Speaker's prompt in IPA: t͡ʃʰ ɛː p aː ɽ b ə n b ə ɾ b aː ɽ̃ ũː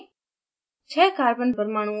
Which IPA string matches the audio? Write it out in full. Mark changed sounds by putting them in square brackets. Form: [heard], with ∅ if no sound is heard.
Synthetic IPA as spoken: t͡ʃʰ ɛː [k] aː [ɾ] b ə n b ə ɾ [m] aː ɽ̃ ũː